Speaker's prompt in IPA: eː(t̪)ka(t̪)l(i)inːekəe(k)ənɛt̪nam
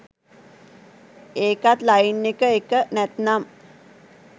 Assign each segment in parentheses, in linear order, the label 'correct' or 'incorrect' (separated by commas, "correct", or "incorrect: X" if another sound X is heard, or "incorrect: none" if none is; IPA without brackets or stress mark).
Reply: incorrect: none, correct, incorrect: a, correct